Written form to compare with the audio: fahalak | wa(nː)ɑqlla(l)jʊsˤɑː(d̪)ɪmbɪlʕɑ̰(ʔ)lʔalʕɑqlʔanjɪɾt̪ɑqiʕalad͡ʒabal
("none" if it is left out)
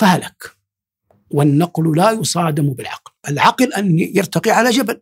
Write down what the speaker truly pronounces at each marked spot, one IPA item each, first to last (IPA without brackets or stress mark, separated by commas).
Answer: nː, none, d̪, q